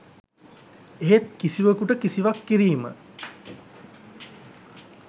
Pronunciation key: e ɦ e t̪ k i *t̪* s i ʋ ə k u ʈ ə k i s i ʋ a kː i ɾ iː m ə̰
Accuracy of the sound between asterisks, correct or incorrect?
incorrect